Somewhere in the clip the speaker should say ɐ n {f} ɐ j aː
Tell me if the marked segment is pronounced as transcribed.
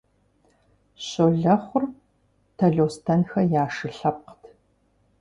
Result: no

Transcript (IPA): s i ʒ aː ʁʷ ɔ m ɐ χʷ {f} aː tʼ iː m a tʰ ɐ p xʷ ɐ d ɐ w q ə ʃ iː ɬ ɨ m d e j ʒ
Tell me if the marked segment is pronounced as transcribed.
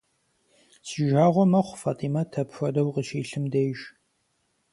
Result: yes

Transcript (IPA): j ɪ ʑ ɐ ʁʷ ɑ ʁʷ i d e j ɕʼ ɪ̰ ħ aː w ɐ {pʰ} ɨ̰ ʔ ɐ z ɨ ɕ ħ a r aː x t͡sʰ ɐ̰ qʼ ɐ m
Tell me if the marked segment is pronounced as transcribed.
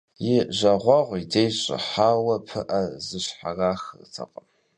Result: yes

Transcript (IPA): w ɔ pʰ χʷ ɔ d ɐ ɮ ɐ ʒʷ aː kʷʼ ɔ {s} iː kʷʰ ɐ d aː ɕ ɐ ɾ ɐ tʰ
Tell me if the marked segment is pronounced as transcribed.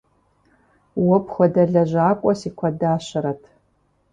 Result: yes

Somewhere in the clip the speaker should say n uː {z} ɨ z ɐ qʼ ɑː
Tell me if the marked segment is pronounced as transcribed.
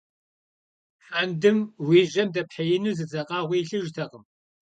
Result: yes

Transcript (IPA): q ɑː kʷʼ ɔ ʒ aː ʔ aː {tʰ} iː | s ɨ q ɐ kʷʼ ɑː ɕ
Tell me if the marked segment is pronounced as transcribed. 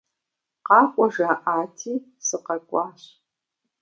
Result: yes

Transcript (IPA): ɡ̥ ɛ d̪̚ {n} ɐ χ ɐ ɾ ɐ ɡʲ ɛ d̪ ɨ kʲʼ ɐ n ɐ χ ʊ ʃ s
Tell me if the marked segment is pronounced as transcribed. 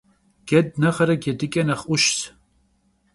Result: yes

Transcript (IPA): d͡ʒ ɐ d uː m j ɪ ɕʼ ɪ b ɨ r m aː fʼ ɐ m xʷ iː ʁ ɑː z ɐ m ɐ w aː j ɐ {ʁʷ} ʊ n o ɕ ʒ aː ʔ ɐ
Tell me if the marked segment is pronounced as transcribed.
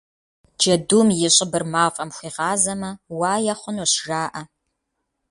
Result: no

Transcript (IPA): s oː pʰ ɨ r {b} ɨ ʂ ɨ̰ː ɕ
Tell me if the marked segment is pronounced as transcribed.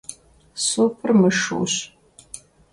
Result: no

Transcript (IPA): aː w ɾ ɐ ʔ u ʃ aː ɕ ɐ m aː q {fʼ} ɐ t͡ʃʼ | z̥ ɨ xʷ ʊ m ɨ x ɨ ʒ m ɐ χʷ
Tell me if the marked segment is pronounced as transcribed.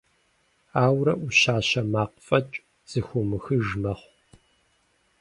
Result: yes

